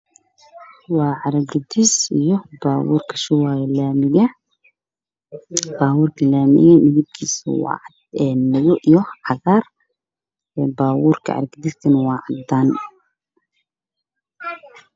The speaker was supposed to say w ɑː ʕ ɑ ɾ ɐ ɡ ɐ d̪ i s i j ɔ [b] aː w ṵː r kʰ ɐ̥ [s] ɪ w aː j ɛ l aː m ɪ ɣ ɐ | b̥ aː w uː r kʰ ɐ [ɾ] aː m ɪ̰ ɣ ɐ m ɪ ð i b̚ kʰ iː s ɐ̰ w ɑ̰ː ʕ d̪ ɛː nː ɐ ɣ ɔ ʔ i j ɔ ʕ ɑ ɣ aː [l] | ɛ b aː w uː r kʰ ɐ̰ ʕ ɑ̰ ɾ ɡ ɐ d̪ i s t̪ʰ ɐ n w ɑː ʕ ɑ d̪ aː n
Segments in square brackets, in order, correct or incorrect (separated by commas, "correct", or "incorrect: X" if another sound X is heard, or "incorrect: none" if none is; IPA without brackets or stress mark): correct, incorrect: ʃ, incorrect: l, incorrect: r